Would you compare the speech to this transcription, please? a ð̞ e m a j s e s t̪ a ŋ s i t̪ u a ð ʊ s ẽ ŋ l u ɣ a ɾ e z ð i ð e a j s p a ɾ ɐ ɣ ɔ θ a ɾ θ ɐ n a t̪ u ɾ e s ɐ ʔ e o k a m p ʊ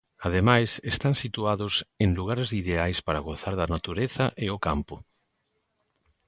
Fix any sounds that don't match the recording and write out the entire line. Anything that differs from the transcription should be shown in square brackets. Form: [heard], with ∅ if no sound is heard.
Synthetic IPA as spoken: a ð̞ e m a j s e s t̪ a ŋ s i t̪ u a ð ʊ s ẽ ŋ l u ɣ a ɾ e z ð i ð e a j s p a ɾ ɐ ɣ [o] θ a ɾ [ð] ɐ n a t̪ u ɾ e [θ] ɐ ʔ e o k a m p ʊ